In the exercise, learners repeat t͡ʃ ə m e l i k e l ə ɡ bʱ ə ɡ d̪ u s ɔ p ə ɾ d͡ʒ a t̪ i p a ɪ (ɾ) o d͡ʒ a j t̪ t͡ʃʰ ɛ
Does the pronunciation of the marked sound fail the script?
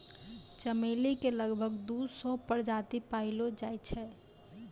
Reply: yes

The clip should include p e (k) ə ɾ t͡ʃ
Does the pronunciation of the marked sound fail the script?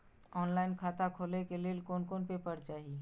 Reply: yes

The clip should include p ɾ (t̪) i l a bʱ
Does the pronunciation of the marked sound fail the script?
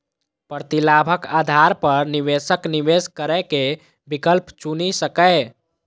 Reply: no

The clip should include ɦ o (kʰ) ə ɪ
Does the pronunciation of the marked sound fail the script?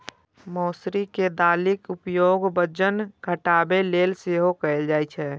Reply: yes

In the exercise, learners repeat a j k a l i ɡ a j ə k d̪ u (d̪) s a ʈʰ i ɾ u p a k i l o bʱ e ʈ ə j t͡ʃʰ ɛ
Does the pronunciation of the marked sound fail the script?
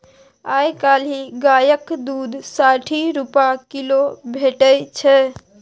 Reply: no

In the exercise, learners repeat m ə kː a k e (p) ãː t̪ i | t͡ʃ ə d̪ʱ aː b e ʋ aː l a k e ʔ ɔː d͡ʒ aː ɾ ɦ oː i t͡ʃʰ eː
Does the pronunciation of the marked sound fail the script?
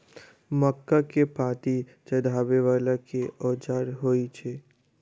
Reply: no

